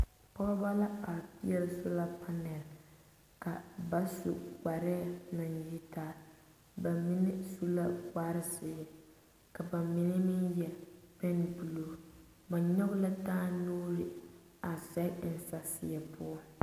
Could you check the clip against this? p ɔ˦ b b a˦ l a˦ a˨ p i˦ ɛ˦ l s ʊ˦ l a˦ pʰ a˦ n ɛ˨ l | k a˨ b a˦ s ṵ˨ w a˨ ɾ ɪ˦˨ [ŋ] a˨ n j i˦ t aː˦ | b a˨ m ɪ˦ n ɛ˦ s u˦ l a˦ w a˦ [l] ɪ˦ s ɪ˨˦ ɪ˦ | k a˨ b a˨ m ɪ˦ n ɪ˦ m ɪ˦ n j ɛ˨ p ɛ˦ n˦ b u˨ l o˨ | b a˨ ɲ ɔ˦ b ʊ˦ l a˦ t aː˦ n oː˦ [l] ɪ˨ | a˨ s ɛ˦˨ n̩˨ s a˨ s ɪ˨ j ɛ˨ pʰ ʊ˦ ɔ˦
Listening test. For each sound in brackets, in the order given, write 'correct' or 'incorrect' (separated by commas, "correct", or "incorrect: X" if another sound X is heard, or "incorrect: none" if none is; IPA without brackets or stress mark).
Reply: incorrect: n, incorrect: ɾ, incorrect: ɾ